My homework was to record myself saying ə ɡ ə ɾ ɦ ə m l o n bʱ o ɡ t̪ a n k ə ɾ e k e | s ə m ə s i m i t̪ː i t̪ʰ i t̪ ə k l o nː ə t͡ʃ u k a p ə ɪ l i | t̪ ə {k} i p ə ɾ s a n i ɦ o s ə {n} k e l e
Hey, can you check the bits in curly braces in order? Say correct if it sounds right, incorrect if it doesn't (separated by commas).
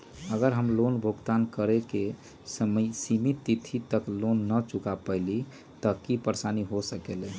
correct, incorrect